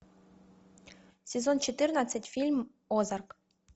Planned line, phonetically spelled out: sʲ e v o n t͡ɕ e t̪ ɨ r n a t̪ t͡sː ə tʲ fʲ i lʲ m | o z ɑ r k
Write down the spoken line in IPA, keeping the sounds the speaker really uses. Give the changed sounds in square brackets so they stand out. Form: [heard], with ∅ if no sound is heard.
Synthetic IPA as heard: sʲ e [z] o n t͡ɕ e t̪ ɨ r n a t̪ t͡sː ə tʲ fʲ i lʲ m | o z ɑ r k